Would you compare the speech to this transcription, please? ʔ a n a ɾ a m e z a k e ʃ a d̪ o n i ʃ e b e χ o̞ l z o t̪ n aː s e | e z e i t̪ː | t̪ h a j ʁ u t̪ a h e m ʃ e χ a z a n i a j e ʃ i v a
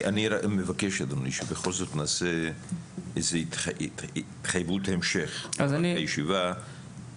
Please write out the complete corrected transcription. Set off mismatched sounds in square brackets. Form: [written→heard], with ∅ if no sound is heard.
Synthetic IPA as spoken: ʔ a n [a→i] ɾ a m e [z→v] a k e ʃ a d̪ o n i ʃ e b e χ o̞ l z o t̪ n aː s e | e z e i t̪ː | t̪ [h→χ] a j [ʁ→v] u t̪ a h e m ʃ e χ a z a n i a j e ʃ i v a

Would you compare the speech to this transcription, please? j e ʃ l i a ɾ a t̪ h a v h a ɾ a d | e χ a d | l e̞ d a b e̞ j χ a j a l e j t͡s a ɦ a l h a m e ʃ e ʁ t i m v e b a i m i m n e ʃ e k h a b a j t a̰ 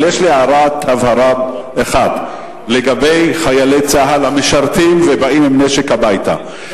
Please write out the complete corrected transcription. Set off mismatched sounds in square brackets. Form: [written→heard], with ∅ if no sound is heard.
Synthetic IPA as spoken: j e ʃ l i a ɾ a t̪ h a v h a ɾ a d | e χ a d | l e̞ [d→ɡ] a b e̞ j χ a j a l e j t͡s a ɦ a l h a m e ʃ [e→a] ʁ t i m v e b a i m i m n e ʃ e k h a b a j t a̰

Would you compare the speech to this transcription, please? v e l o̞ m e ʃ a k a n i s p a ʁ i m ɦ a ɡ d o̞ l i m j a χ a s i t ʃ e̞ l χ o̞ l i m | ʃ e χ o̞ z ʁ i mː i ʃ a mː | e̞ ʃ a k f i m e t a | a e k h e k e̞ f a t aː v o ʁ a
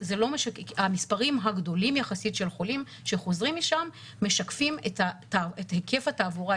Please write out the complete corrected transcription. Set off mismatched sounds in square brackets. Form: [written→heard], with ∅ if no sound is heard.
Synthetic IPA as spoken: [v→z] e l o̞ m e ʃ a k a [n→m] i s p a ʁ i m ɦ a ɡ d o̞ l i m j a χ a s i t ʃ e̞ l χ o̞ l i m | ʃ e χ o̞ z ʁ i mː i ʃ a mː | e̞ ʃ a k f i m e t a | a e [k→t] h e k e̞ f a t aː v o ʁ a

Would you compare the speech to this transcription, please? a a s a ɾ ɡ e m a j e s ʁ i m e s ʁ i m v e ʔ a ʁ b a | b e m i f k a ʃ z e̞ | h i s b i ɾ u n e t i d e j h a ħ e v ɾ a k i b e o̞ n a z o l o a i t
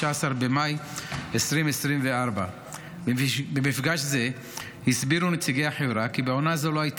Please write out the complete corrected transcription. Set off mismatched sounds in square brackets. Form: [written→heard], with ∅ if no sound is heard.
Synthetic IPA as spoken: a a s a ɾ [ɡ→b] e m a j e s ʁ i m e s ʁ i m v e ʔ a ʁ b a | b e m i f [k→ɡ] a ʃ z e̞ | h i s b i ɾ u n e [t→t͡s] i [d→ɡ] e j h a ħ e v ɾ a k i b e o̞ n a z o l o a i t

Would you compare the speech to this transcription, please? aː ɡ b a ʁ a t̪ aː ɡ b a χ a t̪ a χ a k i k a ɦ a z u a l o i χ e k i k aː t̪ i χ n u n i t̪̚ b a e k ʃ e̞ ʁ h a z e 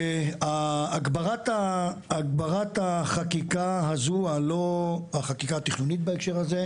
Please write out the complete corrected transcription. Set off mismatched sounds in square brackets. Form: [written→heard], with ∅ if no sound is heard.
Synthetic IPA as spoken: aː ɡ b a ʁ a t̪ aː ɡ b a [χ→ʁ] a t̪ a χ a k i k a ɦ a z u a l o [i→a] χ [e→a] k i k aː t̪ i χ n u n i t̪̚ b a e k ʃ e̞ ʁ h a z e

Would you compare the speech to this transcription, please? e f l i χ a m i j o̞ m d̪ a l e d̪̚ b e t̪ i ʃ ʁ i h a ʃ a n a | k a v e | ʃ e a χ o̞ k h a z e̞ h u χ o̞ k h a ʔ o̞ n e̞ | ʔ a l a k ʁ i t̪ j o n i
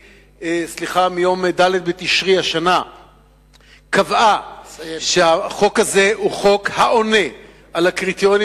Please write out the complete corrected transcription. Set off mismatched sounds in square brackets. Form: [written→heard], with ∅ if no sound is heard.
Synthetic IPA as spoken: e [f→s] l i χ a m i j o̞ m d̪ a l e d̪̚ b e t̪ i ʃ ʁ i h a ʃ a n a | k a v [e→a] | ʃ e a χ o̞ k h a z e̞ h u χ o̞ k h a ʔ o̞ n e̞ | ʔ a l a k ʁ i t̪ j o n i

